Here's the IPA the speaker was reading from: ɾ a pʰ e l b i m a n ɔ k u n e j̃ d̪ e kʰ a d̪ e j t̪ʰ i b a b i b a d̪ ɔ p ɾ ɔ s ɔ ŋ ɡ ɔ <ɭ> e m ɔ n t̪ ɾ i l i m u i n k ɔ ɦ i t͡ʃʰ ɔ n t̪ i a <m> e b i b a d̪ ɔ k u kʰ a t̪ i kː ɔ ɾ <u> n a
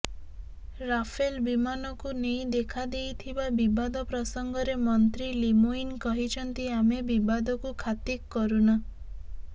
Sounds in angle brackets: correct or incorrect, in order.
incorrect, correct, correct

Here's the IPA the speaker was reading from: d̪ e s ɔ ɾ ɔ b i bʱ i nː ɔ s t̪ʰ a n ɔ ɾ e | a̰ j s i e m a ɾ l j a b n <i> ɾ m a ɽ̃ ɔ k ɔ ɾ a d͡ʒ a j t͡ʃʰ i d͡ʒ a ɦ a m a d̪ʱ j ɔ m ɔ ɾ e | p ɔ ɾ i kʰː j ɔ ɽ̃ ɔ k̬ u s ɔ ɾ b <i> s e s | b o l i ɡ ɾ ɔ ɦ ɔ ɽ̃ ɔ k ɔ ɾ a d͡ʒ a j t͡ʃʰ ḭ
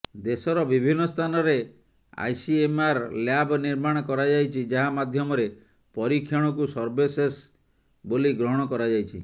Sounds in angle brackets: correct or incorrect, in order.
correct, incorrect

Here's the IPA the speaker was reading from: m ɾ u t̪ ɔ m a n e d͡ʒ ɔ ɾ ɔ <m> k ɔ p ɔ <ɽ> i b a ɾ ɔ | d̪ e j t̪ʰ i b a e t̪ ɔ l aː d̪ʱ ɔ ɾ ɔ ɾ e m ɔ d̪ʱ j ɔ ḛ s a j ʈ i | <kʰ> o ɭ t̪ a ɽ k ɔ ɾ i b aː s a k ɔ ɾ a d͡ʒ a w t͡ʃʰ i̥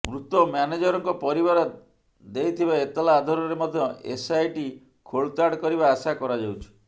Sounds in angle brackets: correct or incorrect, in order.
incorrect, incorrect, correct

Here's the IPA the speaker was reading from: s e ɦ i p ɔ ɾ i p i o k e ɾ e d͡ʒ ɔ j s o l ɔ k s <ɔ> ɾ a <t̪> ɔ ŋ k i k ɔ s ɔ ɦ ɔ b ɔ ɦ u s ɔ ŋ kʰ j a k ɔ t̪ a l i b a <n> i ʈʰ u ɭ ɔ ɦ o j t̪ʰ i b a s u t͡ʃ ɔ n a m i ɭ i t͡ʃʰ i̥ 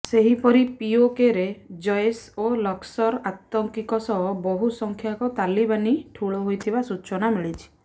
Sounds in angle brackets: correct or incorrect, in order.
correct, correct, correct

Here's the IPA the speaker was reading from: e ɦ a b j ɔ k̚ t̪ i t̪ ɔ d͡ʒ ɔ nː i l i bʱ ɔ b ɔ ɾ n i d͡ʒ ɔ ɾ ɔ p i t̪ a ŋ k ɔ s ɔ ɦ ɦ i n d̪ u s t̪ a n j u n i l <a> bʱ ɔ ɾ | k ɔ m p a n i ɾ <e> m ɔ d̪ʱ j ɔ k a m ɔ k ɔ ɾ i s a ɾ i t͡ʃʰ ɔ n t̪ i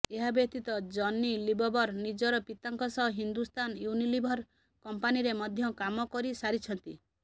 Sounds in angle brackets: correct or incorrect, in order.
incorrect, correct

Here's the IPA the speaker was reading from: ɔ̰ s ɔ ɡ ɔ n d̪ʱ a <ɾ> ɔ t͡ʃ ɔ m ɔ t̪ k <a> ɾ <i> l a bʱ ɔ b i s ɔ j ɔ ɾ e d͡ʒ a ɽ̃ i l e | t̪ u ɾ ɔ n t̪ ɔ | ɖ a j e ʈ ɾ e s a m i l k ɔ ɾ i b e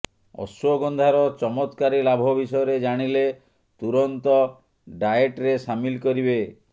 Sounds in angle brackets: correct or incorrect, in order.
correct, correct, correct

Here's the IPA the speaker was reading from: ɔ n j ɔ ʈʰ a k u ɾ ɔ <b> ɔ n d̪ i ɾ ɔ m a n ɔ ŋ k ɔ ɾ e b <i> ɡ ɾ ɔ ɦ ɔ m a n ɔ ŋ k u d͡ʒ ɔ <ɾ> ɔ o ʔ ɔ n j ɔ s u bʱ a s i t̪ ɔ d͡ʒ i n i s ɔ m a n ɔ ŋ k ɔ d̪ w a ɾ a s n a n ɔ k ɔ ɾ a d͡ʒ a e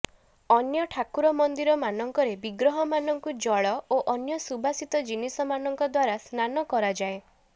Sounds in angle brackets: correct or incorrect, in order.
incorrect, correct, incorrect

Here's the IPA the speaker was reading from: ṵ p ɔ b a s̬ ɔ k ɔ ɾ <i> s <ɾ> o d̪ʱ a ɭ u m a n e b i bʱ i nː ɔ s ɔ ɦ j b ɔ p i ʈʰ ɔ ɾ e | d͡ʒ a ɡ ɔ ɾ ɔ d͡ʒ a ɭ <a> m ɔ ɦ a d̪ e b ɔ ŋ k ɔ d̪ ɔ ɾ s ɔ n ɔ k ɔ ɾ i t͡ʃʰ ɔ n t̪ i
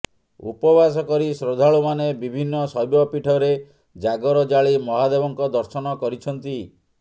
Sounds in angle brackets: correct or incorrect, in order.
correct, correct, incorrect

